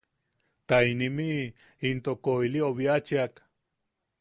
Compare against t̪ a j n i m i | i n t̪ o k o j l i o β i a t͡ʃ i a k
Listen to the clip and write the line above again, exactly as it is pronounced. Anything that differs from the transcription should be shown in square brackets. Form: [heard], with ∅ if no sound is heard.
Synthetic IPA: t̪ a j n i m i | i n t̪ o k o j l i o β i a t͡ʃ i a k